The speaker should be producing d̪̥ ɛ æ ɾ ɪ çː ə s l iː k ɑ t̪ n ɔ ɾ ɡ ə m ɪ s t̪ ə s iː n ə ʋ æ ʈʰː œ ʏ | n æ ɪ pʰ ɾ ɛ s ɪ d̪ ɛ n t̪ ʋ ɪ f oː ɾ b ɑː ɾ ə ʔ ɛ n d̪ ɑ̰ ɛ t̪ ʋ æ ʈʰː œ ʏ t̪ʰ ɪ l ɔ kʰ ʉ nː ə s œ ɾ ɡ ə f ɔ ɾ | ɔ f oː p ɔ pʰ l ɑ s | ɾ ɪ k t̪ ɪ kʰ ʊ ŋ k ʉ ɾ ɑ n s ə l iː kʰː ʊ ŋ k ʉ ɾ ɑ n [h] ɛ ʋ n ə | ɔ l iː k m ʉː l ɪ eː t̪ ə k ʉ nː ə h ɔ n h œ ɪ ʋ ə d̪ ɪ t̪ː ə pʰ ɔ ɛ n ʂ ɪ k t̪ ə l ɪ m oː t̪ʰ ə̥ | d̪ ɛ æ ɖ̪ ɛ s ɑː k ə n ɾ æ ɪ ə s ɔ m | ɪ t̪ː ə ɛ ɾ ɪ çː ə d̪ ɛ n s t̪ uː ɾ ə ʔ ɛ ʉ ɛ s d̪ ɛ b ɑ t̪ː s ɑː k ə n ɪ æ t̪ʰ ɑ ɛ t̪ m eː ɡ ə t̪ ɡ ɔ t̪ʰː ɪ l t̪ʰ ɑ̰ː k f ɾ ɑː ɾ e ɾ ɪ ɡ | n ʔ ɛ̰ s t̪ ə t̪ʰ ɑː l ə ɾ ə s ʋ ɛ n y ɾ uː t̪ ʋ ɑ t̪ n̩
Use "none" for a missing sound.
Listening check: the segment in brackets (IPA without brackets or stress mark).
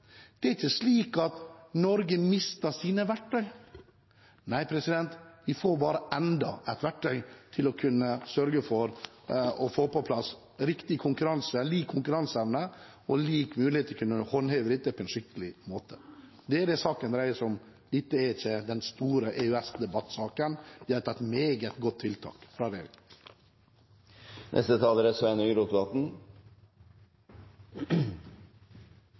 s